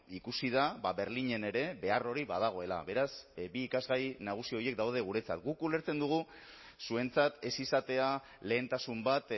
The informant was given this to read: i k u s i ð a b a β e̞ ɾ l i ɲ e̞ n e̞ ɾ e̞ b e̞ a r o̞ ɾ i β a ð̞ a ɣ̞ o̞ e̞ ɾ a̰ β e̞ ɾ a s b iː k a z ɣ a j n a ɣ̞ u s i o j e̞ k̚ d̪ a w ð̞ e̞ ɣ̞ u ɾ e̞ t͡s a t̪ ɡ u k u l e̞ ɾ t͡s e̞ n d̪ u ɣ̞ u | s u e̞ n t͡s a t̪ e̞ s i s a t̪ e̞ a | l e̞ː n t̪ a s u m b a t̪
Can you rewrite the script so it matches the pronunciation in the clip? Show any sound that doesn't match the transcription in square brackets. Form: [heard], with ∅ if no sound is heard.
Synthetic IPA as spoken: i k u s i ð a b a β e̞ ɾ l i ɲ e̞ n e̞ ɾ e̞ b e̞ a r o̞ ɾ i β a ð̞ a ɣ̞ o̞ e̞ [l] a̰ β e̞ ɾ a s b iː k a z ɣ a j n a ɣ̞ u s i o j e̞ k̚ d̪ a w ð̞ e̞ ɣ̞ u ɾ e̞ t͡s a t̪ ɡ u k u l e̞ ɾ t͡s e̞ n d̪ u ɣ̞ u | s u e̞ n t͡s a t̪ e̞ s i s a t̪ e̞ a | l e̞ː n t̪ a s u m b a t̪

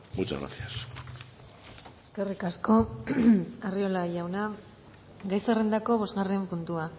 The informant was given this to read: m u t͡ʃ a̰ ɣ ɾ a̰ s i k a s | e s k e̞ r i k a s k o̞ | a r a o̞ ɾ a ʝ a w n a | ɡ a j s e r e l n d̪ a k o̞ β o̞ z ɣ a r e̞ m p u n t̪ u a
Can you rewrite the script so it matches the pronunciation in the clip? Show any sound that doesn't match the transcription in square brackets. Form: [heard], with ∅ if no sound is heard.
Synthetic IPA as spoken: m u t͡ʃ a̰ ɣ ɾ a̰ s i [∅] a s | e s k e̞ r i k a s k o̞ | a r [i] o̞ [l] a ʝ a w n a | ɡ a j s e r e [∅] n d̪ a k o̞ β o̞ z ɣ a r e̞ m p u n t̪ u a

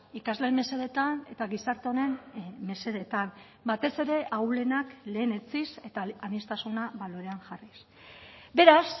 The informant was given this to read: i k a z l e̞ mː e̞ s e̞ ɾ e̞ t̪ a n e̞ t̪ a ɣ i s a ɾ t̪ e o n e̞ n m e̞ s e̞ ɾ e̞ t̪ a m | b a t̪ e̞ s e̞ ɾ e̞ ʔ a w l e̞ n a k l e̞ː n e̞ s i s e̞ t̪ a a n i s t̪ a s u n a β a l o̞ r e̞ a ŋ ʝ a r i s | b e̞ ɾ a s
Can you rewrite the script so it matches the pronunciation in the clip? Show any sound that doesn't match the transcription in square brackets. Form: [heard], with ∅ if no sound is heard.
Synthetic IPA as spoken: i k a z l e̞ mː e̞ s e̞ ɾ e̞ t̪ a n e̞ t̪ a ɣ i s a ɾ t̪ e o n e̞ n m e̞ s e̞ ɾ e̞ t̪ a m | b a t̪ e̞ s e̞ ɾ e̞ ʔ a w l e̞ n a k l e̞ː n e̞ [t͡s] i s e̞ t̪ a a n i s t̪ a s u n a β a l o̞ [ɾ] e̞ a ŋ ʝ a r i s | b e̞ ɾ a s

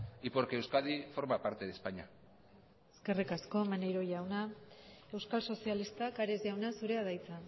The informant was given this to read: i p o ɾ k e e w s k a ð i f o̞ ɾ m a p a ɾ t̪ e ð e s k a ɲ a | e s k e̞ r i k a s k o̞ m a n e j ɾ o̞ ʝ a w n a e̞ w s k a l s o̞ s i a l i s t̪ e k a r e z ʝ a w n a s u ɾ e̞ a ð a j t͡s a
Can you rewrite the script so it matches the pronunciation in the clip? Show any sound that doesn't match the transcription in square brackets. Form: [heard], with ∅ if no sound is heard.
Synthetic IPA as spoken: i p o ɾ k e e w s k a ð i f o̞ ɾ m a p a ɾ t̪ e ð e s [p] a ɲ a | e s k e̞ r i k a s k o̞ m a n e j ɾ o̞ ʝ a w n a e̞ w s k a l s o̞ s i a l i s t̪ [a] k a [ɾ] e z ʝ a w n a s u ɾ e̞ a ð a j t͡s a

